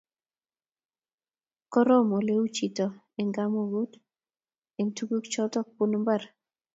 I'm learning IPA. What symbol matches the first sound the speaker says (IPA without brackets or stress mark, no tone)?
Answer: k